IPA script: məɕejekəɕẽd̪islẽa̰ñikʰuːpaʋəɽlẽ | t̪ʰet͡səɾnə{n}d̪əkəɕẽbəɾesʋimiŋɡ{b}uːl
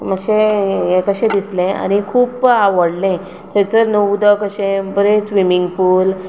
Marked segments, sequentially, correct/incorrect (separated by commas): incorrect, incorrect